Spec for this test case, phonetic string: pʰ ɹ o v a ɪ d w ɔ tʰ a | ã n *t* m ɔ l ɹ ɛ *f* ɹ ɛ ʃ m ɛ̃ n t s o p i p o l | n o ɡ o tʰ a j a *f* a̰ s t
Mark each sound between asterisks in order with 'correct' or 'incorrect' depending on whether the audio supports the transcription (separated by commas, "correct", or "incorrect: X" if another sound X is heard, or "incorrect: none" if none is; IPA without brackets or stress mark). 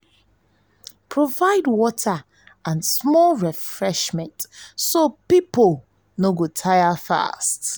incorrect: s, correct, correct